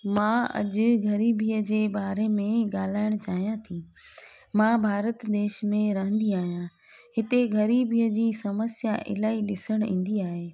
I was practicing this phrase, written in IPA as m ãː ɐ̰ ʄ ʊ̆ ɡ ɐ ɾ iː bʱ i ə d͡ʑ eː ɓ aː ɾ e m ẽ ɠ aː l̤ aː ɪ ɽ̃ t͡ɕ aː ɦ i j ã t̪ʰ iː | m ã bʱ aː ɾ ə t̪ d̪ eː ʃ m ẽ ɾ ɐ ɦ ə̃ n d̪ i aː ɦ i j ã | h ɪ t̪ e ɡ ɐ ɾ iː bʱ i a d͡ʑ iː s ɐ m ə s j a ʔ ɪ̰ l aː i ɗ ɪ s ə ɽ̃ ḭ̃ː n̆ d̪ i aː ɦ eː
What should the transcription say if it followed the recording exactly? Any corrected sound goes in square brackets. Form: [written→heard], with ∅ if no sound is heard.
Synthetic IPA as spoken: m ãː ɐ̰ ʄ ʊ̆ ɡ ɐ ɾ iː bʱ i ə d͡ʑ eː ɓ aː ɾ e m ẽ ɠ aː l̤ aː ɪ ɽ̃ t͡ɕ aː ɦ i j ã t̪ʰ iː | m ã bʱ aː ɾ ə t̪ d̪ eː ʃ m ẽ ɾ ɐ ɦ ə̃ n d̪ i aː ɦ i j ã | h ɪ t̪ e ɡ ɐ ɾ iː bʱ i [a→ə] d͡ʑ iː s ɐ m ə s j a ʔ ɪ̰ l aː i ɗ ɪ s ə ɽ̃ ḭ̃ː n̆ d̪ i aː ɦ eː